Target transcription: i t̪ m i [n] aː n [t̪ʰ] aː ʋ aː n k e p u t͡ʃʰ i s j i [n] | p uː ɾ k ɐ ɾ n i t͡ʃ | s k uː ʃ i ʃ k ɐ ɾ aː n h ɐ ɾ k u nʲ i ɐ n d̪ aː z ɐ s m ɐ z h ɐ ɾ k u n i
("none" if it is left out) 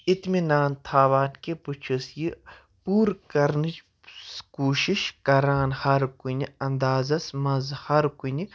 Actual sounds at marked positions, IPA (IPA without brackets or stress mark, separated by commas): n, t̪ʰ, none